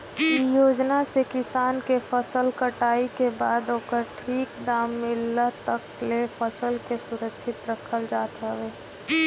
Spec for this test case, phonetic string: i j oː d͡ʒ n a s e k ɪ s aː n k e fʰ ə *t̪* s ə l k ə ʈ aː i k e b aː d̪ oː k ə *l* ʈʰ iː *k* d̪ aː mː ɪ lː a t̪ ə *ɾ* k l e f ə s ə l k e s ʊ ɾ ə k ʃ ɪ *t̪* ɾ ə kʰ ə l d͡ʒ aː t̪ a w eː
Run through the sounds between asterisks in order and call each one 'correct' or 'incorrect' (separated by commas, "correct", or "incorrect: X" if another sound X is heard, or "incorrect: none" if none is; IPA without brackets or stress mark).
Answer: incorrect: none, incorrect: ɾ, correct, incorrect: none, correct